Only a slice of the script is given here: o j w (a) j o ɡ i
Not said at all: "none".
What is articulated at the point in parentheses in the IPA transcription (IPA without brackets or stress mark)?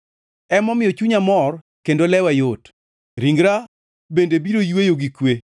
e